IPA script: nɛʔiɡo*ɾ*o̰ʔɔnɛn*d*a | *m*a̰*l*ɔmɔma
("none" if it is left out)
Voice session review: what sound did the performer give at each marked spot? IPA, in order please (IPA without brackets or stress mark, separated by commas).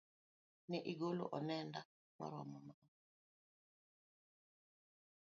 l, d, m, ɾ